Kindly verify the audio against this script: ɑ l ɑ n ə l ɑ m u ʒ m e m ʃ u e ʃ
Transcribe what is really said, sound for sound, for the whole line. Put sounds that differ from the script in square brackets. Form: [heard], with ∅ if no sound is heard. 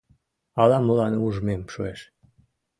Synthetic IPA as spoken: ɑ l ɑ [m] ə l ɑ [n] u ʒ m e m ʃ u e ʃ